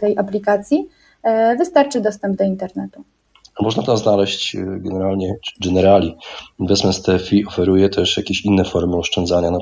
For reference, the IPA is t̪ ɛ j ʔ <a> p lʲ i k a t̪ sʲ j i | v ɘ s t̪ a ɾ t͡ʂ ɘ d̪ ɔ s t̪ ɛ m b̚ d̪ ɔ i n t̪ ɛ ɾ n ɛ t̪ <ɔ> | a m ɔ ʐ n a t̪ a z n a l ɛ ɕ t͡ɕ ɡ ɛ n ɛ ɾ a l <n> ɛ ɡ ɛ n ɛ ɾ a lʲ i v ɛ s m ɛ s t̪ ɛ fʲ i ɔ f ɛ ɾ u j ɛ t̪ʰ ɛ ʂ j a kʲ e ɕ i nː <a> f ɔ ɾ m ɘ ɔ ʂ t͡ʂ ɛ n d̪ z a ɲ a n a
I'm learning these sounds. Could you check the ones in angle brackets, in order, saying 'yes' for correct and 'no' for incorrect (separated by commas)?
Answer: yes, no, no, no